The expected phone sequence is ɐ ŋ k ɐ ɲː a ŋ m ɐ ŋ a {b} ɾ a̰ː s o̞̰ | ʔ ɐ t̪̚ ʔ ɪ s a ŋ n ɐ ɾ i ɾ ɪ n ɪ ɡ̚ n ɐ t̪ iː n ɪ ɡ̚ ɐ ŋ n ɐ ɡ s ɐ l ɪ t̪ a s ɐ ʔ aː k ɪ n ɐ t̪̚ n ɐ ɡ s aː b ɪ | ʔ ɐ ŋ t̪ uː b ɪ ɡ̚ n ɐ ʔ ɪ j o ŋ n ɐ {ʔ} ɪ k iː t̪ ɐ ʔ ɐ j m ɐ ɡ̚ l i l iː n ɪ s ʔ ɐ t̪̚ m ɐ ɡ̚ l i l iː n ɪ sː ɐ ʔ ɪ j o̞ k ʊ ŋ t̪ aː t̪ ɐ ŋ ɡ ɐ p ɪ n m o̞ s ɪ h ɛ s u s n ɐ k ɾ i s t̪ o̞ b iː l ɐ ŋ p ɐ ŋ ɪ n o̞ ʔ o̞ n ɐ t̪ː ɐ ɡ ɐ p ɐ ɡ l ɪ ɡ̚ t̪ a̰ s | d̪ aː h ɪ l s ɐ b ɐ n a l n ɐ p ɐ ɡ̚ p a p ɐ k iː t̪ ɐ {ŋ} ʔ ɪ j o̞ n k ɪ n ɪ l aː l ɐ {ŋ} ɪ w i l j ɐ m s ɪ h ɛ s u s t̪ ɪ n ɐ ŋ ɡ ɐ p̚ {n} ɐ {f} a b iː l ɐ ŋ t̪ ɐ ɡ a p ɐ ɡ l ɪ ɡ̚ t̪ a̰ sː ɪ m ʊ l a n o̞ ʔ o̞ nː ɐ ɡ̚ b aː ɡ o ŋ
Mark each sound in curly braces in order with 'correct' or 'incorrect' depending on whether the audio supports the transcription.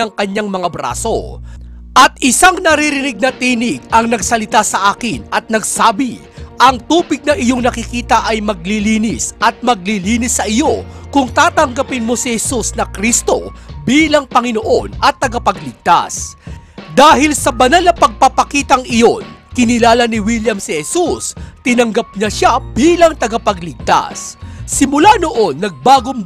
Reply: correct, incorrect: k, correct, incorrect: n, incorrect: ɲ, incorrect: ʃ

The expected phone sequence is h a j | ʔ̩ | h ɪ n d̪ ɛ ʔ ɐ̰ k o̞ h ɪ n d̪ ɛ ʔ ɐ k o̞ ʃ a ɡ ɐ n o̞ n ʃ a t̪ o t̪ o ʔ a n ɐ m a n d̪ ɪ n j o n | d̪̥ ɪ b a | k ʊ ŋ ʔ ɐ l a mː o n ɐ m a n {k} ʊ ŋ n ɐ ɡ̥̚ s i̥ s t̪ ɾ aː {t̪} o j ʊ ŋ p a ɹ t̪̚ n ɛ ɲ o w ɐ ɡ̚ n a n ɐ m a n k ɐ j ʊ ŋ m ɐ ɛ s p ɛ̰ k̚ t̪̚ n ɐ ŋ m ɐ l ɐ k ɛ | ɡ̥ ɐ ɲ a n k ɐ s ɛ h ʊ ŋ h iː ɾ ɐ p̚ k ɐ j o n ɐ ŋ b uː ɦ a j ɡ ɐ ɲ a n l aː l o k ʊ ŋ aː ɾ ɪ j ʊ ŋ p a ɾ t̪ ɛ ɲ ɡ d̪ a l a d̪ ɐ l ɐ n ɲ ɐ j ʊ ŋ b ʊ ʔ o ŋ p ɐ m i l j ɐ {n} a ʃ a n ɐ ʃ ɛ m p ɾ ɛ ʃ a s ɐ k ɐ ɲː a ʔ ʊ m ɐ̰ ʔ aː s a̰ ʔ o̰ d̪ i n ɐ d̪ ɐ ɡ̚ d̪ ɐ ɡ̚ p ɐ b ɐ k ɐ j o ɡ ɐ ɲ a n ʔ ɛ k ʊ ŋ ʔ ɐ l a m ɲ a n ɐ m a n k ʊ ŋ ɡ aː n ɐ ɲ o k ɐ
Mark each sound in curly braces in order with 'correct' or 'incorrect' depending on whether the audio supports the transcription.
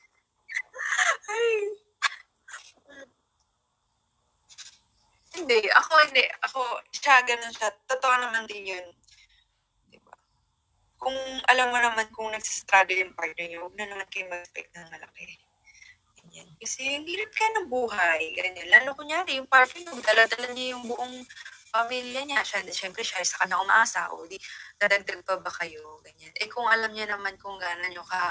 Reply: correct, incorrect: d̪, incorrect: ɲ

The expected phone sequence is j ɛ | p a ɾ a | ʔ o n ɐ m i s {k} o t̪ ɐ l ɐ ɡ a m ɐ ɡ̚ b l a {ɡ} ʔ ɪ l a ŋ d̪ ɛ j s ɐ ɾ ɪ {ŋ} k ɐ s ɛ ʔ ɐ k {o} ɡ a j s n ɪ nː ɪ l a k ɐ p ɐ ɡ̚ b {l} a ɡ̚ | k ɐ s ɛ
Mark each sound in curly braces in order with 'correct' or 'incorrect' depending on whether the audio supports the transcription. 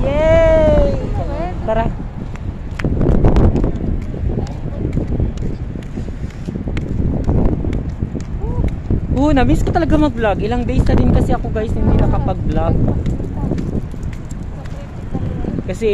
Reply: correct, correct, incorrect: n, correct, correct

